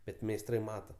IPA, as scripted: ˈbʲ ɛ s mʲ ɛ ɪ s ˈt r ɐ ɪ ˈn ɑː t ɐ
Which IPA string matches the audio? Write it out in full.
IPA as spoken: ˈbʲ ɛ t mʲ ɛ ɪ s ˈt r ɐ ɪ ˈm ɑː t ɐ